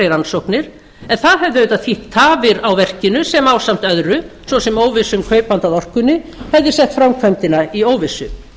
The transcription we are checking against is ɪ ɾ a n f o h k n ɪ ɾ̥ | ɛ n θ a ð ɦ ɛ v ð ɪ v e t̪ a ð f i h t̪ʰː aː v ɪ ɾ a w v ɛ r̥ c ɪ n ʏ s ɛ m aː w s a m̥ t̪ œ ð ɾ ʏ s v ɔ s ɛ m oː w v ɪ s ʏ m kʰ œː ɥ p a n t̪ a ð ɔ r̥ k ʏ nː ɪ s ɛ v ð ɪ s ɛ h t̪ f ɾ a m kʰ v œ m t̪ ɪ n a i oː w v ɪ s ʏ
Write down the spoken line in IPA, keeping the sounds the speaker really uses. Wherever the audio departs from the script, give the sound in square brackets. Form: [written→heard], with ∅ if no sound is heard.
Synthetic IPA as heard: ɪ ɾ a n [f→s] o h k n ɪ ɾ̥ | ɛ n θ a ð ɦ ɛ v ð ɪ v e t̪ a ð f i h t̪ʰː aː v ɪ ɾ a w v ɛ r̥ c ɪ n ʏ s ɛ m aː w s a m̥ t̪ œ ð ɾ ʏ s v ɔ s ɛ m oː w v ɪ s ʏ m kʰ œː ɥ p a n t̪ a ð ɔ r̥ k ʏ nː ɪ [s→h] ɛ v ð ɪ s ɛ h t̪ f ɾ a m kʰ v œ m t̪ ɪ n a i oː w v ɪ s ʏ